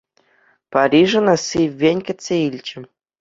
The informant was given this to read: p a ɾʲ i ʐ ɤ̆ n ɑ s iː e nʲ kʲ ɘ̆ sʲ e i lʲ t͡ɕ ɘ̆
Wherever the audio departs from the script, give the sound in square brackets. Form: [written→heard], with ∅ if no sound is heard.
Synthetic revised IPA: p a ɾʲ i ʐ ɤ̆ n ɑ s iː e nʲ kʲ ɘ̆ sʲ e i lʲ t͡ɕ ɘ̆